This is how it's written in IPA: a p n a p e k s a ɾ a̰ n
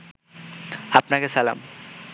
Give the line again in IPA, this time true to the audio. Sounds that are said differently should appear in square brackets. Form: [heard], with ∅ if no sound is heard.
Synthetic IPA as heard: a p n a [k] e [∅] s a [l] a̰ [m]